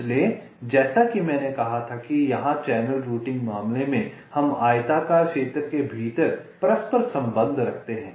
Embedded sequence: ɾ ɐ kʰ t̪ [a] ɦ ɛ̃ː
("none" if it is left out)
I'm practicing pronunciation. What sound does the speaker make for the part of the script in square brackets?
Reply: e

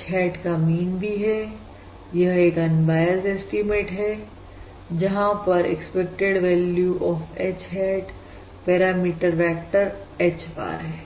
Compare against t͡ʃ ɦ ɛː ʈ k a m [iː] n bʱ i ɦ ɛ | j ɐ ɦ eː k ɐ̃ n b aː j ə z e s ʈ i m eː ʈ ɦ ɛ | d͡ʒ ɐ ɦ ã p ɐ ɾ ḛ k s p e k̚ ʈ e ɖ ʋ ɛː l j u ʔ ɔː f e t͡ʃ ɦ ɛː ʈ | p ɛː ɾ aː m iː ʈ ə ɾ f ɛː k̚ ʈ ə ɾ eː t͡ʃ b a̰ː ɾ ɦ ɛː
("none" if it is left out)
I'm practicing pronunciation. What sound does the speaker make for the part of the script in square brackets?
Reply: iː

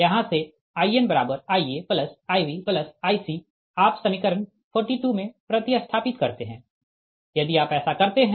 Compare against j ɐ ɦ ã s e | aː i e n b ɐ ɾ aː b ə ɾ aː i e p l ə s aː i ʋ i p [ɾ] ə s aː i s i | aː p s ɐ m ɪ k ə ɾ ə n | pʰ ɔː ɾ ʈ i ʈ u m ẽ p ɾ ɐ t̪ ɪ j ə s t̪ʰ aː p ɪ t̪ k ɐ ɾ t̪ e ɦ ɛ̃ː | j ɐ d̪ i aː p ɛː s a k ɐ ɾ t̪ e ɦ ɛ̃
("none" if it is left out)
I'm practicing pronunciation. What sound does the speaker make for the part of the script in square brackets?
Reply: l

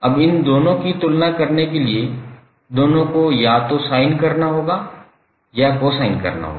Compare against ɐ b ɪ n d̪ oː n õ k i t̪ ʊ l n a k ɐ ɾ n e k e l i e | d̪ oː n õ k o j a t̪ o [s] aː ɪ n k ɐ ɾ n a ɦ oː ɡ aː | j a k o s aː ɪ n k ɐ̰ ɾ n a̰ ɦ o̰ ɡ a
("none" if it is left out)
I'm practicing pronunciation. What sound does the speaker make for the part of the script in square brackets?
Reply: s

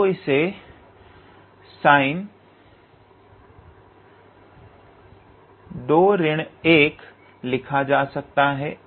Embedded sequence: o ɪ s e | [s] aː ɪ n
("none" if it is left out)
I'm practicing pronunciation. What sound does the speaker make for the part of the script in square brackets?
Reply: s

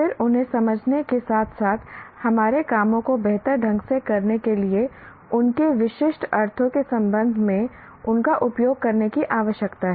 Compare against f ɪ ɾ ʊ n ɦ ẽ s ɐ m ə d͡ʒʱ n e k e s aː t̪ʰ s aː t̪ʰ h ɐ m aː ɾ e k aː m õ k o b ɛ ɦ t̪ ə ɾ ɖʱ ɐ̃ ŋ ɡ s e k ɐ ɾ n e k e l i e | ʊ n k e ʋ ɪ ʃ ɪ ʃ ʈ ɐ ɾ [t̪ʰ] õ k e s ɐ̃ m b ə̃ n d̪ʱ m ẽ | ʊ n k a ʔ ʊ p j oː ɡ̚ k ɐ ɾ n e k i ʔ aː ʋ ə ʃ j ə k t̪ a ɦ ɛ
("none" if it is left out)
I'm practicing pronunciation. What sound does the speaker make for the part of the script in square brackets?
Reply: t̪ʰ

